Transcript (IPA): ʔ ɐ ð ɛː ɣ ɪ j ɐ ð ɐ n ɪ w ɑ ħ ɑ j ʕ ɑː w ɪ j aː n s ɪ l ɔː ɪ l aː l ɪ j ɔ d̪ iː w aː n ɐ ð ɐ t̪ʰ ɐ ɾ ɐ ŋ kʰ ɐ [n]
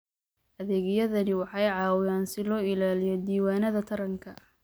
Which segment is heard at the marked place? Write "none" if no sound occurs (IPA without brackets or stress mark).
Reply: none